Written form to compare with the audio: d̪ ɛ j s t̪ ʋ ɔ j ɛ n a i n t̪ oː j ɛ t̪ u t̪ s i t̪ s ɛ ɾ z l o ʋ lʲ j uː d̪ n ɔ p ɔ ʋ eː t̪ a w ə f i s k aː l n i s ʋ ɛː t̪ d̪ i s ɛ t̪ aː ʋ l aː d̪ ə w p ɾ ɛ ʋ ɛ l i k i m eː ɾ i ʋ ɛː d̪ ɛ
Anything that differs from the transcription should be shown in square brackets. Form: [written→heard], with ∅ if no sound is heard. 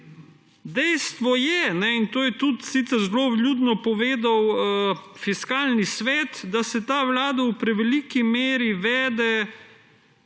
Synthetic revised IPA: d̪ ɛ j s t̪ ʋ ɔ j ɛ n [a→ɛ] i n t̪ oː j ɛ t̪ u t̪ s i t̪ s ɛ ɾ z l o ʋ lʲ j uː d̪ n ɔ p ɔ ʋ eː [t̪→d̪] a w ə f i s k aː l n i s ʋ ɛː t̪ d̪ [i→a] s ɛ t̪ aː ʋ l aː d̪ [ə→a] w p ɾ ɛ ʋ ɛ l i k i m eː ɾ i ʋ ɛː d̪ ɛ